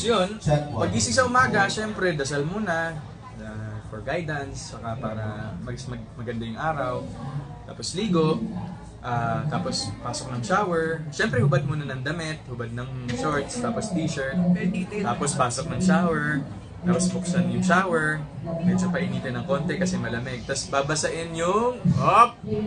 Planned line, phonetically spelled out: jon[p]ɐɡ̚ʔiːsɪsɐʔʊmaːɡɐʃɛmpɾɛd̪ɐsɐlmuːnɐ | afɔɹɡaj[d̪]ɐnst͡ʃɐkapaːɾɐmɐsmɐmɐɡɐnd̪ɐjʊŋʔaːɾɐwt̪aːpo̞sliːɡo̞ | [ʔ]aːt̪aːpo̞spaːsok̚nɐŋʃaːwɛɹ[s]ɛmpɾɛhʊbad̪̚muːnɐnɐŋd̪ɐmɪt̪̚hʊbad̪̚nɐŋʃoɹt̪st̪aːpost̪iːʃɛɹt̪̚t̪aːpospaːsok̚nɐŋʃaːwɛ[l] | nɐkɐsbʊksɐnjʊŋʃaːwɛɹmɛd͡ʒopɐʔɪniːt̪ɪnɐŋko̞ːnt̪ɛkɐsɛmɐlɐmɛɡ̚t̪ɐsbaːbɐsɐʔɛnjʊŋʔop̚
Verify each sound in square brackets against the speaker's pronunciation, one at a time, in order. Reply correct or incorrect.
correct, correct, correct, incorrect, incorrect

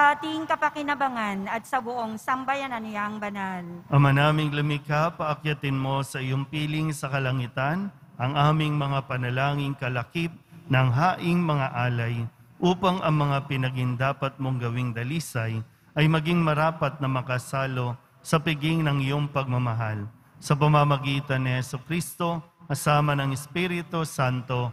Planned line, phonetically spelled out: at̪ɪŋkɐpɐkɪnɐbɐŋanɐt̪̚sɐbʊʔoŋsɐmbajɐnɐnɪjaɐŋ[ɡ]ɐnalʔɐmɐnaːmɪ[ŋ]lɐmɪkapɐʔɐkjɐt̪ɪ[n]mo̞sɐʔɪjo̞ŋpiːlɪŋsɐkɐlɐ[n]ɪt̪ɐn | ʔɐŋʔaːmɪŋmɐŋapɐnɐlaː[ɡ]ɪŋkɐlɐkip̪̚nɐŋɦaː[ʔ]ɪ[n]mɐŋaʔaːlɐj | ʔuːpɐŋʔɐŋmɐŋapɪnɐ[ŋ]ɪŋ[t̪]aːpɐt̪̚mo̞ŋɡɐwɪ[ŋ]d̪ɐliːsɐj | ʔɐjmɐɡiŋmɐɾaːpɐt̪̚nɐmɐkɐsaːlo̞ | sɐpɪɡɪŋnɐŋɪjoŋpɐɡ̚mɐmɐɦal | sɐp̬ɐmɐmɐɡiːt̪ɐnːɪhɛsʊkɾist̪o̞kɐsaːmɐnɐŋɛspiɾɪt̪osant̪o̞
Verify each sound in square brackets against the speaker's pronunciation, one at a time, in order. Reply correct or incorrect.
incorrect, correct, correct, incorrect, incorrect, correct, incorrect, incorrect, incorrect, correct

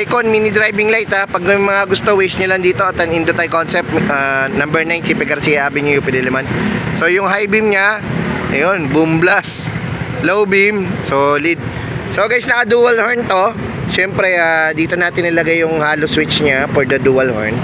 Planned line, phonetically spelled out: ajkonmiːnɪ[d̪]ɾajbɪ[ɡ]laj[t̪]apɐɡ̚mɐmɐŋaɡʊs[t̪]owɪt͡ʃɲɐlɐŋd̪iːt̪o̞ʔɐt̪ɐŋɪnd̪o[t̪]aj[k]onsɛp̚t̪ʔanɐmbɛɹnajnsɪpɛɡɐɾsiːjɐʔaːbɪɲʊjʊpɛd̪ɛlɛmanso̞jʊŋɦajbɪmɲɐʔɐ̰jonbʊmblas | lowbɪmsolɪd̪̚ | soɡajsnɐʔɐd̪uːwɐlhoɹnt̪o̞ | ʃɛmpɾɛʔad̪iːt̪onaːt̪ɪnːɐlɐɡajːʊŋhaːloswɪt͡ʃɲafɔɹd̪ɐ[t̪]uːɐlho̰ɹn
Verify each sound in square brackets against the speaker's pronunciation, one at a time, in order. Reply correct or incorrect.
correct, incorrect, correct, correct, correct, correct, incorrect

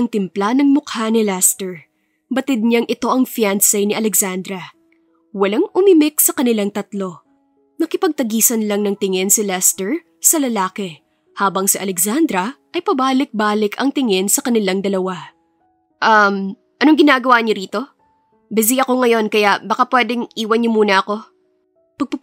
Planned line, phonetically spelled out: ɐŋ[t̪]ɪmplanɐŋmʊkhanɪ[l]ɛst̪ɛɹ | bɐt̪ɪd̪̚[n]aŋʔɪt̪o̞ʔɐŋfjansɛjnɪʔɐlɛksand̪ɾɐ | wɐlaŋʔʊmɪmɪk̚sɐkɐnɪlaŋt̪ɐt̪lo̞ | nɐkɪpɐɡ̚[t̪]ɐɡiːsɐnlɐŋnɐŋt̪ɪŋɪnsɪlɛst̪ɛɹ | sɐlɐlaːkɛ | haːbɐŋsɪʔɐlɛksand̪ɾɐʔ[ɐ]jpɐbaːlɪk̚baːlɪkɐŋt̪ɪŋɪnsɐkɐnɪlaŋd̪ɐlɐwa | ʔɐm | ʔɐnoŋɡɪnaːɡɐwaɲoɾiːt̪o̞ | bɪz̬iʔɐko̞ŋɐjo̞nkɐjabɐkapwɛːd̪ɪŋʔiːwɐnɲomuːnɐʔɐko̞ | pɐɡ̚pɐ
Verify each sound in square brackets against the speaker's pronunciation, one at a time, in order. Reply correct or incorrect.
correct, correct, incorrect, correct, correct

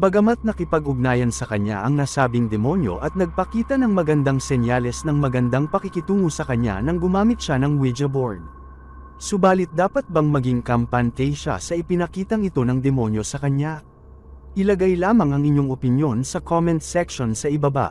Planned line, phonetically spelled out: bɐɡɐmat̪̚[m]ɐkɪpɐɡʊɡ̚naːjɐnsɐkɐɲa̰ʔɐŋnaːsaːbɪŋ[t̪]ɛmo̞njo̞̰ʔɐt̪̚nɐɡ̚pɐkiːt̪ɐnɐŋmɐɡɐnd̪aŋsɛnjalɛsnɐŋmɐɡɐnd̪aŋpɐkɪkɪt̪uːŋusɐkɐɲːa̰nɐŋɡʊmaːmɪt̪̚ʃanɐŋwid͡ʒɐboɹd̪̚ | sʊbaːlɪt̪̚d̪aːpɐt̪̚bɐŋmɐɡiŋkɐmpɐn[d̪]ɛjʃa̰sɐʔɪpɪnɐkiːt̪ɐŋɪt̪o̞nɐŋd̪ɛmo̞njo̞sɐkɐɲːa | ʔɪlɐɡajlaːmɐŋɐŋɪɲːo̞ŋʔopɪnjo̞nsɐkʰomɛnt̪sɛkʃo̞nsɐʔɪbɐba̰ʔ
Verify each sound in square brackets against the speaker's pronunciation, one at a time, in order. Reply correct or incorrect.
incorrect, incorrect, incorrect

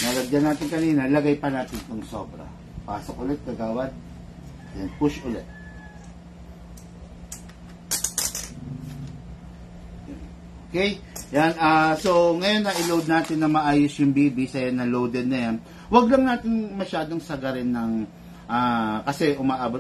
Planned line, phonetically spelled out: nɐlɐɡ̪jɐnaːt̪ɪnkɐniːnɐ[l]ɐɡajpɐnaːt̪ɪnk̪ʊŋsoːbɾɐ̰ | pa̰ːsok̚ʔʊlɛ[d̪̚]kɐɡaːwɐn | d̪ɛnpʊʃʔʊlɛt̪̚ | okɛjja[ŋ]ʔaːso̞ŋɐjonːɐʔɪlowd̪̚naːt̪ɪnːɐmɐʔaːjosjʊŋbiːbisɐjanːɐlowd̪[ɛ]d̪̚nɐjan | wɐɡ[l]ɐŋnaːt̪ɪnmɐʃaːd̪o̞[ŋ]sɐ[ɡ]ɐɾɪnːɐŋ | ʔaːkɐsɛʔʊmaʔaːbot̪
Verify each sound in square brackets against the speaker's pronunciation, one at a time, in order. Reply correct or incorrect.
correct, incorrect, incorrect, correct, correct, correct, correct

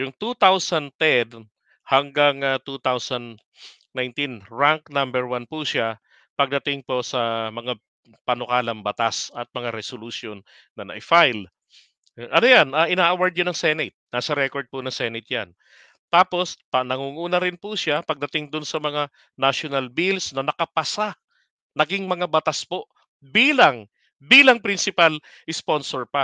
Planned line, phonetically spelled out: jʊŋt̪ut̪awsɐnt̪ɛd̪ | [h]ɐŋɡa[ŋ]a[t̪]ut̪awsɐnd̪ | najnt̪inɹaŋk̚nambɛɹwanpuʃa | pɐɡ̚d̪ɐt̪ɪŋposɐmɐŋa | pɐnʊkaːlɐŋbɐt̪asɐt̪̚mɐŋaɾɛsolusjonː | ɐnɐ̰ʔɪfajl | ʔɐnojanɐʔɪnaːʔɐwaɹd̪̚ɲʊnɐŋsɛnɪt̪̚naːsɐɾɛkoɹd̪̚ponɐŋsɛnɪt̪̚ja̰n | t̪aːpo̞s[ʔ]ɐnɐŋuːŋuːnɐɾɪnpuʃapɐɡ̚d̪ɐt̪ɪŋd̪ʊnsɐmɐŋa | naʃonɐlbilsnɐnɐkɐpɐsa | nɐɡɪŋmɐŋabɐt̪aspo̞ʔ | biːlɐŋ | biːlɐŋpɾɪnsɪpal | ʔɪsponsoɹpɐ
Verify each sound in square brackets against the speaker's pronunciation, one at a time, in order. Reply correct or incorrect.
correct, correct, correct, incorrect

